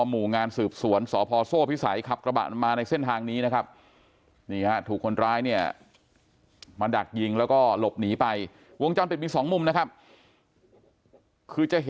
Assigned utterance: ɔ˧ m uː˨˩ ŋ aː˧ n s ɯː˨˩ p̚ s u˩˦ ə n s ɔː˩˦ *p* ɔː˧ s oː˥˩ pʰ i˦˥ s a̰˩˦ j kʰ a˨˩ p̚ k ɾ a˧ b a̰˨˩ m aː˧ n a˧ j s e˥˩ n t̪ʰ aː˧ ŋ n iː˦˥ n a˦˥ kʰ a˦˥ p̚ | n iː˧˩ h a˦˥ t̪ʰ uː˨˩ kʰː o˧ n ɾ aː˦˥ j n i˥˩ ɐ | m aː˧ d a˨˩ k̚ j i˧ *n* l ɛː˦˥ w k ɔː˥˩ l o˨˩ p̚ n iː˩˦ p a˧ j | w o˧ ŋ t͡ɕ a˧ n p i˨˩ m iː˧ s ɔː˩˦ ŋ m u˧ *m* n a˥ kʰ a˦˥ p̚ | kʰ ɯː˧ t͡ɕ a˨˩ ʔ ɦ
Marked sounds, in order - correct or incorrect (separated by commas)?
incorrect, incorrect, correct